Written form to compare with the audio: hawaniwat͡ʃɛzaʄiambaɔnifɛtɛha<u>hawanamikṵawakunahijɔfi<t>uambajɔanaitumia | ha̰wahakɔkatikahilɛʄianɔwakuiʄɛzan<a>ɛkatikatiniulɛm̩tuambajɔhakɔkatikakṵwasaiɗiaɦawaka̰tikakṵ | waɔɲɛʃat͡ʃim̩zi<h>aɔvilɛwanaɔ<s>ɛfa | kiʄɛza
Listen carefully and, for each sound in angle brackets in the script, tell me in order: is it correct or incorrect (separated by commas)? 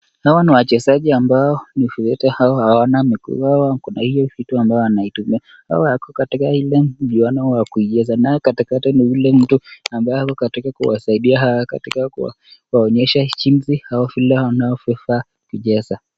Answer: incorrect, correct, correct, correct, incorrect